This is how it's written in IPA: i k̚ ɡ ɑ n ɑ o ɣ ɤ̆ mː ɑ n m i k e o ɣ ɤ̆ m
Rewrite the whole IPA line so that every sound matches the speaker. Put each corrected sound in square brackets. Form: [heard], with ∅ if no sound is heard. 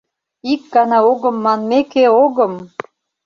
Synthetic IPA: i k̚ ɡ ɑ n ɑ o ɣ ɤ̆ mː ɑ n m [e] k e o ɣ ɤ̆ m